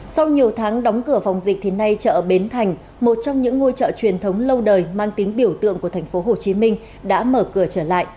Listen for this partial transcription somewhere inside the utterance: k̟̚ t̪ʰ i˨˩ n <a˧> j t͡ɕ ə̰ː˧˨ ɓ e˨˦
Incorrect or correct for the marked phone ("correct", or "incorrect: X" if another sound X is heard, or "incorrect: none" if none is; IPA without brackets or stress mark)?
correct